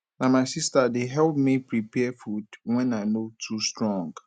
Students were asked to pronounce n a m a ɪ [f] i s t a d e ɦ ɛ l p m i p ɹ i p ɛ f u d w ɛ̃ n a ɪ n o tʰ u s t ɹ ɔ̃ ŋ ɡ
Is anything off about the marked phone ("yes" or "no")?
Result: yes